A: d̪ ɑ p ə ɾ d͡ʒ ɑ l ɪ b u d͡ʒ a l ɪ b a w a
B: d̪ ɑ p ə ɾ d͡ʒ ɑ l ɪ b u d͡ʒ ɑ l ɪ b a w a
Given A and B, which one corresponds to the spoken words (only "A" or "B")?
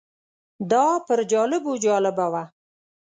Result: B